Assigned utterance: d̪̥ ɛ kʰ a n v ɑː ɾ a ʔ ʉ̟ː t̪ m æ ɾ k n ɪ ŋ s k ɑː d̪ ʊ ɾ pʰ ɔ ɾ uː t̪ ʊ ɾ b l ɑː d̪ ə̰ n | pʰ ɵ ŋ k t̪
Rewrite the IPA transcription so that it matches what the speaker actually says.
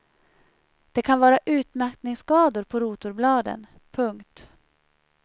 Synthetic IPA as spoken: d̪̥ ɛ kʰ a n v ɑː ɾ a ʔ ʉ̟ː t̪ m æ ɾ k n ɪ ŋ s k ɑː d̪ ʊ ɾ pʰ ɔ ɾ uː t̪ ʊ ɾ b l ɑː d̪ ə̰ n | pʰ ɵ ŋ k t̪